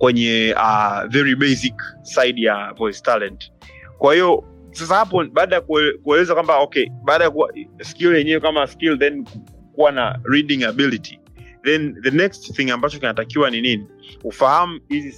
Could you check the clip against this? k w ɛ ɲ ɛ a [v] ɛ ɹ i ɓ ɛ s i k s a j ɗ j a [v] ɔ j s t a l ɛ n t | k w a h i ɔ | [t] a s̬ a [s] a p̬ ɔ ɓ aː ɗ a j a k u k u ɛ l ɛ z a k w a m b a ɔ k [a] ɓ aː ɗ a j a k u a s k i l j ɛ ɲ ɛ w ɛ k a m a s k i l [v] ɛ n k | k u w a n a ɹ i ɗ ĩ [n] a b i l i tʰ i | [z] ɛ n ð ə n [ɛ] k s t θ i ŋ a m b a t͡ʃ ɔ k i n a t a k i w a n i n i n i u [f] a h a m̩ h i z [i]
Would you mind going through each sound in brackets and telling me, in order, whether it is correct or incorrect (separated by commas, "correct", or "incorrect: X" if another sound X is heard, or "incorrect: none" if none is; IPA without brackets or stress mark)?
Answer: correct, correct, incorrect: s, incorrect: h, incorrect: ɛ, incorrect: ð, incorrect: ŋ, incorrect: ð, correct, correct, correct